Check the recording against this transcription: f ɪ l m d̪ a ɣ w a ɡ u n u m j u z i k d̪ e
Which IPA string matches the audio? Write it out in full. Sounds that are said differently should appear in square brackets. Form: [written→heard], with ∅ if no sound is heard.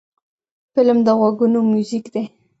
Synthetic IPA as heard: f ɪ l m d̪ [a→ə] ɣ w a ɡ u n [u→o] m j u z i k d̪ e